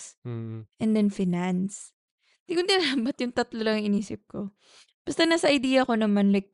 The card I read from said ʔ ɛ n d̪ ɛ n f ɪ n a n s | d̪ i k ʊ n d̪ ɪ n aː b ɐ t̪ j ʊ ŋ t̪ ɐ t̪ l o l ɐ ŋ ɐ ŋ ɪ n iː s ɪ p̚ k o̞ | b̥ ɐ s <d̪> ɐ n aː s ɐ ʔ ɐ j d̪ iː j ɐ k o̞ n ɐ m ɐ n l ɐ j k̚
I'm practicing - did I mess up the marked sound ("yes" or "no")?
yes